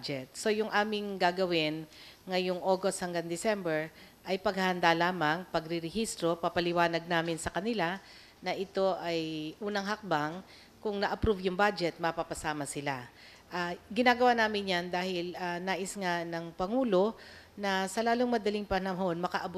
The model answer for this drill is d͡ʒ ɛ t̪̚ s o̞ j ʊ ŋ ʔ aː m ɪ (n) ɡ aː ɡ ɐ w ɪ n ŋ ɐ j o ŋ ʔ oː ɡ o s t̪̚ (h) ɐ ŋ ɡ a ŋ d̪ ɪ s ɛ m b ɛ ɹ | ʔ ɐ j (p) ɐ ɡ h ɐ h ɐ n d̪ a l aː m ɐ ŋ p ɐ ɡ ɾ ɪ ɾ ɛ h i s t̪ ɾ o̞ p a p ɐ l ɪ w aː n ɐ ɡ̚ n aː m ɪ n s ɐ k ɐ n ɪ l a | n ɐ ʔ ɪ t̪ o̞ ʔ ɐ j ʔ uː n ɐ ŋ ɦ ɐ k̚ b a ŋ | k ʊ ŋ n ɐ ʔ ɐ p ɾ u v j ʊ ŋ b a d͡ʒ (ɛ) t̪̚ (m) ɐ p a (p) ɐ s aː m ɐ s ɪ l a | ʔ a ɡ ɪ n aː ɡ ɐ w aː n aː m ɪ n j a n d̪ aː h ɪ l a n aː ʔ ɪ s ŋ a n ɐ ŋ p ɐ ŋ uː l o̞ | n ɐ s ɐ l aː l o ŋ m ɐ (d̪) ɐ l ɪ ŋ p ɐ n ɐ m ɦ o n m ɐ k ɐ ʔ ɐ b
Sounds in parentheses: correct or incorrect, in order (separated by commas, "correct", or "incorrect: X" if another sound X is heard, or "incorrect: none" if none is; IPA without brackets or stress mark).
incorrect: ŋ, correct, correct, correct, correct, correct, correct